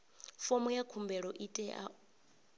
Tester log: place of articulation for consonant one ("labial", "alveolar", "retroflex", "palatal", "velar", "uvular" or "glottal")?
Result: labial